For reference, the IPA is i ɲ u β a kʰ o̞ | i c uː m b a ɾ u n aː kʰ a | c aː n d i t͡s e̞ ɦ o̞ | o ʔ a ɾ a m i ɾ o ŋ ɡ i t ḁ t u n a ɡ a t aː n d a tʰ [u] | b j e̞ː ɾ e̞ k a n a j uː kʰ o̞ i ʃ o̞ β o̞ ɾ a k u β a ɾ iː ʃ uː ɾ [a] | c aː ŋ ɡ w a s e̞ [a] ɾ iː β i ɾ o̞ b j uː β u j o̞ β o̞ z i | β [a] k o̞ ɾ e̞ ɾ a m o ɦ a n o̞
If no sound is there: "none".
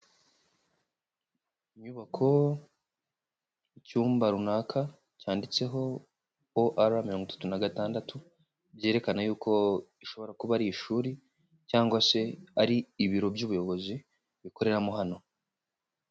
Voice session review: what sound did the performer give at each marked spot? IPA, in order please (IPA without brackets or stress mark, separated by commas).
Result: u, i, a, i